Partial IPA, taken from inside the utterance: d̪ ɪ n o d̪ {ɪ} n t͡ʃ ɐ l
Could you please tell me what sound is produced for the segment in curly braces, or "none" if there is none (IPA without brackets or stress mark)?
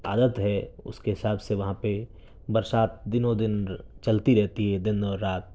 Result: ɪ